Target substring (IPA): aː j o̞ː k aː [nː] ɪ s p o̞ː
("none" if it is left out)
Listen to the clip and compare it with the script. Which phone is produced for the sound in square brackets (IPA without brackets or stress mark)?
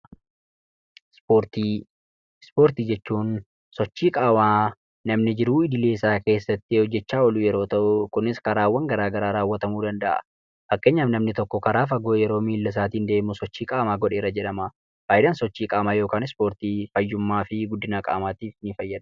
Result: n